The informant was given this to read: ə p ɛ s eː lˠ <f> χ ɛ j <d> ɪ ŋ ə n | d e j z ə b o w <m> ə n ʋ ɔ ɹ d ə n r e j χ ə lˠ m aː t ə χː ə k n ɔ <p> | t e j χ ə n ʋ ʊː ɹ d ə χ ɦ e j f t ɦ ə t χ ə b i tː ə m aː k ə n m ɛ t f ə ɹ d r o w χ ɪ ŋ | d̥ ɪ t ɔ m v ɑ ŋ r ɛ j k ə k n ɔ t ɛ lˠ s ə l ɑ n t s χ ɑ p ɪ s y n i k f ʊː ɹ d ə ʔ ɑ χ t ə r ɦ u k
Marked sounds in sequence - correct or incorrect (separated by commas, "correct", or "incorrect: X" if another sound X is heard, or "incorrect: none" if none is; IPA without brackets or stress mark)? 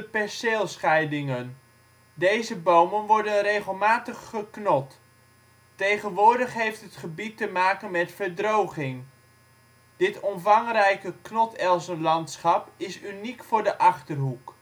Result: incorrect: s, correct, correct, incorrect: t